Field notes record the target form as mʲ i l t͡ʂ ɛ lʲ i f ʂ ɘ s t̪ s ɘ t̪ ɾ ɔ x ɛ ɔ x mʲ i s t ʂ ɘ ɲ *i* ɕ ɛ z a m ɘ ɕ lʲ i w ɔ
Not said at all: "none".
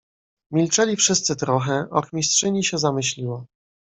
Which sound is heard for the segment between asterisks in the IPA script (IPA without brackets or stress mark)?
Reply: i